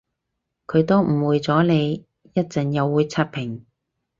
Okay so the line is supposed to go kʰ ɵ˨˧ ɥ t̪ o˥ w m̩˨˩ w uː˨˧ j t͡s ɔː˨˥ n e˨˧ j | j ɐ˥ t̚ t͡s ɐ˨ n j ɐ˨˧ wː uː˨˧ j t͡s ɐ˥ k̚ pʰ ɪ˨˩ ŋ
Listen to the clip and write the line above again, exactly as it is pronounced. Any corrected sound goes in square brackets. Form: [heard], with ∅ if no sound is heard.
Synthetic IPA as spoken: kʰ ɵ˨˧ ɥ t̪ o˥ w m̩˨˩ w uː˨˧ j t͡s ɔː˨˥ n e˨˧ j | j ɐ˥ t̚ t͡s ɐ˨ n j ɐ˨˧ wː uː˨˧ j [t͡sʰ] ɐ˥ [t̚] pʰ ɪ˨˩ ŋ